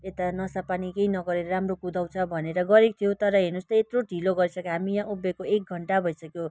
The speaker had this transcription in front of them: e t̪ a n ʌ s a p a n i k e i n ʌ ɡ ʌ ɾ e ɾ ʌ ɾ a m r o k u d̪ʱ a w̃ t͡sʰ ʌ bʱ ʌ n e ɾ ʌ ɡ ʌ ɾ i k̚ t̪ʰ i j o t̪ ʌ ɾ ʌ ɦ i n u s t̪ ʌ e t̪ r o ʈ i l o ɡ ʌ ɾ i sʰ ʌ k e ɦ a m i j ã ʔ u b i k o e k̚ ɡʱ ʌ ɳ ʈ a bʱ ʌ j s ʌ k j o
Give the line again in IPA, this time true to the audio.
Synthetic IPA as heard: e t̪ a n ʌ s a p a n i k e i n ʌ ɡ ʌ ɾ e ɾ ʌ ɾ a m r o k u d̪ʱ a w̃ t͡sʰ ʌ bʱ ʌ n e ɾ ʌ ɡ ʌ ɾ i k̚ t̪ʰ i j o t̪ ʌ ɾ ʌ ɦ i n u s t̪ ʌ e t̪ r o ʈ i l o ɡ ʌ ɾ i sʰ ʌ k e ɦ a m i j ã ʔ u b e k o e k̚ ɡʱ ʌ ɳ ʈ a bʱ ʌ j s ʌ k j o

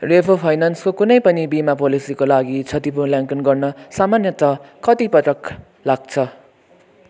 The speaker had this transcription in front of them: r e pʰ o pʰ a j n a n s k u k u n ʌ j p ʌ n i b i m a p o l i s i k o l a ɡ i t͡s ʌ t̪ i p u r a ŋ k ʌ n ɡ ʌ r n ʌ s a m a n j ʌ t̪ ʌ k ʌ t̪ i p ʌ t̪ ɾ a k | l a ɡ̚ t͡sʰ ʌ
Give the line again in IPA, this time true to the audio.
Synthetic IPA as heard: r e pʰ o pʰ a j n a n s k o k u n ʌ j p ʌ n i b i m a p o l i s i k o l a ɡ i t͡sʰ ʌ t̪ i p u l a ŋ k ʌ n ɡ ʌ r n ʌ s a m a n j ʌ t̪ ʌ k ʌ t̪ i p ʌ t̪ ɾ ʌ k | l a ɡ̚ t͡sʰ ʌ

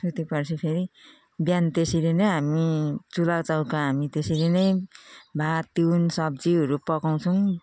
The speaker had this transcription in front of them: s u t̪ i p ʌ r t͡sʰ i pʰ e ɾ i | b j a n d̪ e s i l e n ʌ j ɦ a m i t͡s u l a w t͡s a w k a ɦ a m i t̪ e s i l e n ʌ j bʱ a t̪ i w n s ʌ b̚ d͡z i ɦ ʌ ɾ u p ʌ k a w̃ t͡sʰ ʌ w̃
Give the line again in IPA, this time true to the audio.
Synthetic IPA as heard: s u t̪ i p ʌ r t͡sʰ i pʰ e ɾ i | b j a n t̪ e s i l e n ʌ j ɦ a m i t͡s u l a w t͡s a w k a ɦ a m i t̪ e s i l e n ʌ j bʱ a t̪ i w n s ʌ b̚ d͡z i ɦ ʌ ɾ u p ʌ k a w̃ t͡sʰ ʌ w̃

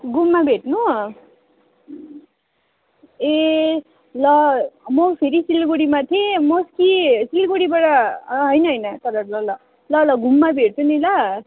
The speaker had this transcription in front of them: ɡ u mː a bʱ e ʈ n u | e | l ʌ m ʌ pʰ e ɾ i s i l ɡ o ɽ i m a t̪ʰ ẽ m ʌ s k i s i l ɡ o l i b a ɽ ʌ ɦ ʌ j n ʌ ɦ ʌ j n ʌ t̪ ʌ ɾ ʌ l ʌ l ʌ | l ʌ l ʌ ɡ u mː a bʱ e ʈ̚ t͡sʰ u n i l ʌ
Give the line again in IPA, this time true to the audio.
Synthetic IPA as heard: ɡ u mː a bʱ e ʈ n u | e | l ʌ m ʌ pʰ e ɾ i s i l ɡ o ɽ i m a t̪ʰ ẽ m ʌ s k i s i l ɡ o ɽ i b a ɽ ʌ ɦ ʌ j n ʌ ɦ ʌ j n ʌ t̪ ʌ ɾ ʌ l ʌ l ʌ | l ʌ l ʌ ɡ u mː a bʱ e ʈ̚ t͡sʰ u n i l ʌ

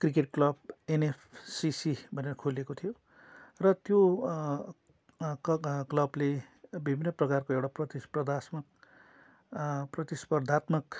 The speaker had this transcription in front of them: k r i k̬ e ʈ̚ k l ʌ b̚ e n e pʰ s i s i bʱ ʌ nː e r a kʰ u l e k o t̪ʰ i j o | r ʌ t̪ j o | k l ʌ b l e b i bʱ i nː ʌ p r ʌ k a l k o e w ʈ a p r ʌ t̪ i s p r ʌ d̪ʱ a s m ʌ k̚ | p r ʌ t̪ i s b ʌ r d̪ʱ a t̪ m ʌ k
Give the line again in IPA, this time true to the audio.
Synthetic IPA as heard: k r i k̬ e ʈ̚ k l ʌ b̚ e n e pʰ s i s i bʱ ʌ n e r ʌ kʰ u l e k o t̪ʰ i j o | r ʌ t̪ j o | k l ʌ b l e b i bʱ i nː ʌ p r ʌ k a r k o e w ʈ a p r ʌ t̪ i s p r ʌ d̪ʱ a s m ʌ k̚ | p r ʌ t̪ i s p ʌ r d̪ʱ a t̪ m ʌ k

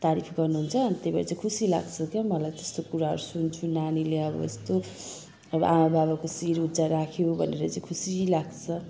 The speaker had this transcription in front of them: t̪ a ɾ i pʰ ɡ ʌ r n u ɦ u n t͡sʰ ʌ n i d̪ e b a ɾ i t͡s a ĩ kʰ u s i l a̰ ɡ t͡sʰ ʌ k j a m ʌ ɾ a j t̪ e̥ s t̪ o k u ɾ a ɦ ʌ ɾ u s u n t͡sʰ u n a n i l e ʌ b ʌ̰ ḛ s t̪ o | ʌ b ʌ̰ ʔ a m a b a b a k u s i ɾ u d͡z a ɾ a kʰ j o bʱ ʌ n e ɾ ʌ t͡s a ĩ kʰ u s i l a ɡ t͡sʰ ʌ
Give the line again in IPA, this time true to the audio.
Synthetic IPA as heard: t̪ a ɾ i pʰ ɡ ʌ r n u ɦ u n t͡sʰ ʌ n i t̪ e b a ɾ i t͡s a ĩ kʰ u s i l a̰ ɡ t͡sʰ ʌ k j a m ʌ l a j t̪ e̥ s t̪ o k u ɾ a ɦ ʌ ɾ u s u n t͡sʰ u n a n i l e ʌ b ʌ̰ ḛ s t̪ o | ʌ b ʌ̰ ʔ a m a b a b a k o s i ɾ u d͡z a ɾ a kʰ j o bʱ ʌ n e ɾ ʌ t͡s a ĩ kʰ u s i l a ɡ t͡sʰ ʌ

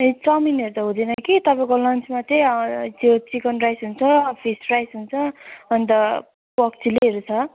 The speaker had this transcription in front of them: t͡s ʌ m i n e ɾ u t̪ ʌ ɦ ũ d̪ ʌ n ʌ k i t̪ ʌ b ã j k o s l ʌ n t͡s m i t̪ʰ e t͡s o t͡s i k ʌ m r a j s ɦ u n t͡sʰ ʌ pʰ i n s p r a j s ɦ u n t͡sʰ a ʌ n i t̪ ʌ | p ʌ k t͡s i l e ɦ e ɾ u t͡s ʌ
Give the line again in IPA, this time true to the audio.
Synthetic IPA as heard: t͡s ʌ m i n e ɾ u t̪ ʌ ɦ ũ d̪ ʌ n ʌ k i t̪ ʌ p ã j k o l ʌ n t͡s m a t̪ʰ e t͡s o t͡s i k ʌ n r a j s ɦ u n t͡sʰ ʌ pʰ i s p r a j s ɦ u n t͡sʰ ʌ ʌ n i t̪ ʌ | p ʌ k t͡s i l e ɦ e ɾ u t͡sʰ ʌ

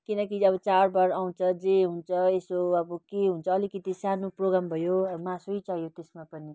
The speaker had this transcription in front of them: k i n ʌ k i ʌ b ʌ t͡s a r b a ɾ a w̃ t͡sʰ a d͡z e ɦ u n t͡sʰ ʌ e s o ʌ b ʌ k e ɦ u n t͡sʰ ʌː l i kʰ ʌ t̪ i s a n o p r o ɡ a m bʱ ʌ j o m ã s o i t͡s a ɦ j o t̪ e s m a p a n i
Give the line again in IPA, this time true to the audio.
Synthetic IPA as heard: k i n ʌ k i ʌ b ʌ t͡s a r b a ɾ a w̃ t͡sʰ ʌ d͡z e ɦ u n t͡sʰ ʌ e s o ʌ b ʌ k e ɦ u n t͡sʰ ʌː l i k ʌ t̪ i s a n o p r o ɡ a m bʱ ʌ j o m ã s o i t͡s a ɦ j o t̪ e s m a p ʌ n i

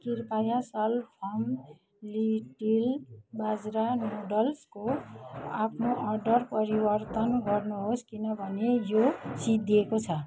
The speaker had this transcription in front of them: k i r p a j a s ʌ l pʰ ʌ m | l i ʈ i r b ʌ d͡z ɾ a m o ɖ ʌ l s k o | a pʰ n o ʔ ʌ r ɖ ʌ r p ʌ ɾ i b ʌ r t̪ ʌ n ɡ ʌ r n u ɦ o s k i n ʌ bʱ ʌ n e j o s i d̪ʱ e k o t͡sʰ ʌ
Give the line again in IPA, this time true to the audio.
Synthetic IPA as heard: k i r p a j a s ʌ l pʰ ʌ m | l i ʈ i l b a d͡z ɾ a m o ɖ ʌ l s k o | a pʰ n o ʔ ʌ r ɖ ʌ r p ʌ ɾ i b ʌ r t̪ ʌ n ɡ ʌ r n u ɦ o s k i n ʌ bʱ ʌ n e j o s i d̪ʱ e k o t͡sʰ ʌ

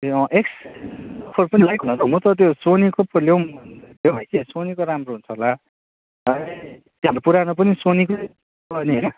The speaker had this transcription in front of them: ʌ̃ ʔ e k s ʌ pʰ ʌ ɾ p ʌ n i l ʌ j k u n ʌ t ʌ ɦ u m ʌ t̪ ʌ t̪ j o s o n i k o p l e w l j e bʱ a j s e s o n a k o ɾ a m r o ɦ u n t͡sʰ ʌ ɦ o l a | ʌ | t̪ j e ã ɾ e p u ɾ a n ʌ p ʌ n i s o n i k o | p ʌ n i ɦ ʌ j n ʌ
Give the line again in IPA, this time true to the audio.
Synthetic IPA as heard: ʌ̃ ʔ e k s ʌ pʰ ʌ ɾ p ʌ n i l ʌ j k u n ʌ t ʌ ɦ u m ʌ t̪ ʌ t̪ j o s o n i k o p l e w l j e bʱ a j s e s o n i k o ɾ a m r o ɦ u n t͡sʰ ʌ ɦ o l a | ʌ | t̪ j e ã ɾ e p u ɾ a n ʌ p ʌ n i s o n i k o | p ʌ n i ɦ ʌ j n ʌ

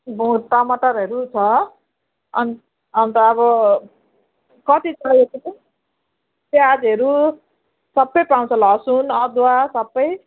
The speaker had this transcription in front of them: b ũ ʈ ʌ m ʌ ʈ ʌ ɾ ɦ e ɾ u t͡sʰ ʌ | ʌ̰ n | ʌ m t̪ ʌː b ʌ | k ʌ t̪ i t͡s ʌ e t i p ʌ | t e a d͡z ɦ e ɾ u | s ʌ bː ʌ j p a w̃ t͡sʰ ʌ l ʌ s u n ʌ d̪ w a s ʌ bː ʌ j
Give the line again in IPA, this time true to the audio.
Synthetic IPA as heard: b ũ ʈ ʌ m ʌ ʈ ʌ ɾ ɦ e ɾ u t͡sʰ ʌ | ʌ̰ n | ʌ n t̪ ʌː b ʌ | k ʌ t̪ i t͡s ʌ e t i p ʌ | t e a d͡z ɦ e ɾ u | s ʌ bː ʌ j p a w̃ t͡sʰ ʌ l ʌ s u n ʌ d̪ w a s ʌ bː ʌ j

